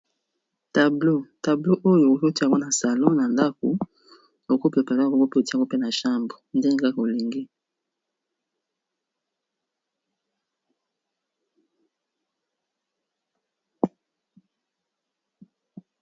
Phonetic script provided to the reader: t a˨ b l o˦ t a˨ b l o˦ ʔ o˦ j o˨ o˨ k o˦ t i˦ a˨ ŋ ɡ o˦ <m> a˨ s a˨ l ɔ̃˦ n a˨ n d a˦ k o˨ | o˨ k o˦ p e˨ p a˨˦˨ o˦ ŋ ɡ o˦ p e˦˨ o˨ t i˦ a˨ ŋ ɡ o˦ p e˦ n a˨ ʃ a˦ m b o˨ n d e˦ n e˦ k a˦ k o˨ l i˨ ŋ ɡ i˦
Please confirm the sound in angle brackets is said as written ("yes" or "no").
no